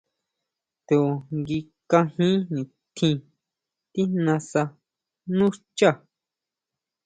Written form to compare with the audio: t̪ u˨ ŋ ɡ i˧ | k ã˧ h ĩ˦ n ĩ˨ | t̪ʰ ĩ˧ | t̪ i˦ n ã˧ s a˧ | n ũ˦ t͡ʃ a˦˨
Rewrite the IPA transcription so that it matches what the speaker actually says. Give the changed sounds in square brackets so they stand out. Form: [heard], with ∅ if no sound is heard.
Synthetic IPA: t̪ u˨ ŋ ɡ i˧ | k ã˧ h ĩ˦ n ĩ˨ | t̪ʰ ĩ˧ | t̪ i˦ n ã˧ s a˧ | n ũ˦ t͡ʃ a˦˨